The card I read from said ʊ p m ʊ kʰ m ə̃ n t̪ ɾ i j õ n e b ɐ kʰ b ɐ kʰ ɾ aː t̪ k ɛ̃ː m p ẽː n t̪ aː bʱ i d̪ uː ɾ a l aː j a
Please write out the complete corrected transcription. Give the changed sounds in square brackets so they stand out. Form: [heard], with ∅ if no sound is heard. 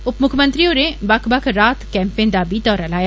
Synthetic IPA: ʊ p m ʊ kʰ m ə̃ n t̪ ɾ i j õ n e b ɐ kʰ b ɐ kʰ ɾ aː t̪ k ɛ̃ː m p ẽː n [d̪] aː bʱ i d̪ [ɔː] ɾ a l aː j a